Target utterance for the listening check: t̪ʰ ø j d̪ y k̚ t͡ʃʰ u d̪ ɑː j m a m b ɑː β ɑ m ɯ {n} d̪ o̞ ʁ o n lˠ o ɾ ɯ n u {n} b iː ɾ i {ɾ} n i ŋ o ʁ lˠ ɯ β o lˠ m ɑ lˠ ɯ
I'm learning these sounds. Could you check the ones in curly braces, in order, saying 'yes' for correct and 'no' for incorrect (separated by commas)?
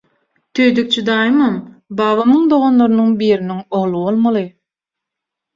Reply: no, no, no